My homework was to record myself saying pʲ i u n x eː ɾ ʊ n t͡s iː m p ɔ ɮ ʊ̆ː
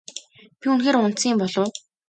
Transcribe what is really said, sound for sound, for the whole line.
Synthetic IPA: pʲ i u n x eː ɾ ʊ n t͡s iː m p ɔ ɮ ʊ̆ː